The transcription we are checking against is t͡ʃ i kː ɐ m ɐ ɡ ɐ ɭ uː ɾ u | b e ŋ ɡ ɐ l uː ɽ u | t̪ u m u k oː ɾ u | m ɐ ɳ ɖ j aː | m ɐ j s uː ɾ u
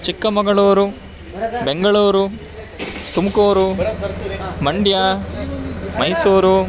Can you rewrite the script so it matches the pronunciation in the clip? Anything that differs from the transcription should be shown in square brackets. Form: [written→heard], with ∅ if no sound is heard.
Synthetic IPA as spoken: t͡ʃ i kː ɐ m ɐ ɡ ɐ ɭ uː ɾ u | b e ŋ ɡ ɐ [l→ɭ] uː [ɽ→ɾ] u | t̪ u m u k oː ɾ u | m ɐ ɳ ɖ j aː | m ɐ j s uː ɾ u